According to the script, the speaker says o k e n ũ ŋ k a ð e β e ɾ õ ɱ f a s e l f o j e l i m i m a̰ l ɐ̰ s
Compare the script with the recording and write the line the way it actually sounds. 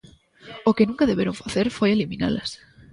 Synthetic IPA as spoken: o k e n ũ ŋ k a ð e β e ɾ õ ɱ f a θ e ɾ f o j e l i m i n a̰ l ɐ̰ s